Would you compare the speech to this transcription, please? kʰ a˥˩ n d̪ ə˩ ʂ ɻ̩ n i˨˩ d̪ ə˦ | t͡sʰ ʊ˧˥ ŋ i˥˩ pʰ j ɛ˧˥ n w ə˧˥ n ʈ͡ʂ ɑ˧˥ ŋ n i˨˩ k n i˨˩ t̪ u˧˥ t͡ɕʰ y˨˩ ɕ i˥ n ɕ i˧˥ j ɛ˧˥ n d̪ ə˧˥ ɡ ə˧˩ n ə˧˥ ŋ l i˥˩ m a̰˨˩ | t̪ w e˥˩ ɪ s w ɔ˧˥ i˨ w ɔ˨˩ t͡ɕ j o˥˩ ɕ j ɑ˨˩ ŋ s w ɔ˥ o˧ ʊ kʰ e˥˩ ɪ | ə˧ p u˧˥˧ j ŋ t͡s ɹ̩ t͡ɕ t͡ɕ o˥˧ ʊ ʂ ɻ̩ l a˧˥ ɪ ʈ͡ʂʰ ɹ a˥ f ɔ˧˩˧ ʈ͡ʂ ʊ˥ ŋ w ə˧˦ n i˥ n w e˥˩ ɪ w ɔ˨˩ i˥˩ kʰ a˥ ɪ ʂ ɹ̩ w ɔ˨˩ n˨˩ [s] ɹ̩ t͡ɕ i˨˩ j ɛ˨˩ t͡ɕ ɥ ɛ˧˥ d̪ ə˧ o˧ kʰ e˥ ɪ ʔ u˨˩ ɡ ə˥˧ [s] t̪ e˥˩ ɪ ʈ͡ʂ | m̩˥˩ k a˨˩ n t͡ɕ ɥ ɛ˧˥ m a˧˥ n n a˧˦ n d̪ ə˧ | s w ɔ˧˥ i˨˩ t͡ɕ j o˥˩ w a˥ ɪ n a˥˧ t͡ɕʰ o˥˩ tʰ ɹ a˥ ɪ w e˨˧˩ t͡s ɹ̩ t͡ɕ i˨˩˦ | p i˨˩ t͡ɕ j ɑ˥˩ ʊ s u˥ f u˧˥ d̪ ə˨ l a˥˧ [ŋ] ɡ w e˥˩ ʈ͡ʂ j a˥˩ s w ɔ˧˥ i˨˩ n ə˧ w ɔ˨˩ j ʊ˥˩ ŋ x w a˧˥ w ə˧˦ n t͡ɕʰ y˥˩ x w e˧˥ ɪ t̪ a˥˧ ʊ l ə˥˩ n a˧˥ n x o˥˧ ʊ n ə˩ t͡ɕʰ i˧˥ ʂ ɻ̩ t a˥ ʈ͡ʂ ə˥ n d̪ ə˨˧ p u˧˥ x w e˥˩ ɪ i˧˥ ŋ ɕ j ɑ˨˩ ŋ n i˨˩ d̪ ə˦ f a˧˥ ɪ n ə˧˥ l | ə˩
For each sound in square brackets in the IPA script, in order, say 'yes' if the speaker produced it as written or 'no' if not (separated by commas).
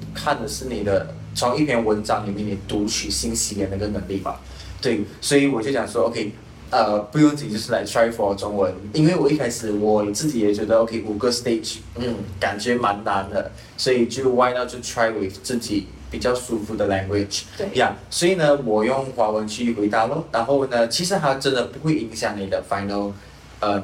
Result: no, yes, yes